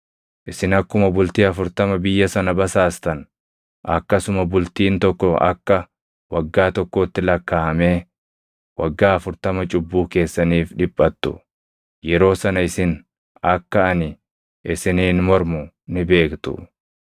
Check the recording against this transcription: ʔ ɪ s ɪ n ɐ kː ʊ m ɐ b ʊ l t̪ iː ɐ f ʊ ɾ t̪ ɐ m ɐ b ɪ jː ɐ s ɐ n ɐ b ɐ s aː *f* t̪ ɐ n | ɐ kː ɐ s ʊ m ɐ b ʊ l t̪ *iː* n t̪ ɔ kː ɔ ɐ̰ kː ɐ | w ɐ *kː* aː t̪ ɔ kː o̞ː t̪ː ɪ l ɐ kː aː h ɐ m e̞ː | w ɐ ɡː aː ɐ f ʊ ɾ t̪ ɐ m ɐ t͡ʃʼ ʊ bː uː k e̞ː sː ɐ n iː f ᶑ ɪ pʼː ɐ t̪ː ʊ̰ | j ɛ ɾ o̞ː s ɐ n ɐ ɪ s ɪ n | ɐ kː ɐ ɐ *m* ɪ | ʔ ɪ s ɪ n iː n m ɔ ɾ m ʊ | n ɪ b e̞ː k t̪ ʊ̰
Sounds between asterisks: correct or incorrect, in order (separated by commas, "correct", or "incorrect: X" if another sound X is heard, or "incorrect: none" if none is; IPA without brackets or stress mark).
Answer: incorrect: s, correct, incorrect: ɡː, incorrect: n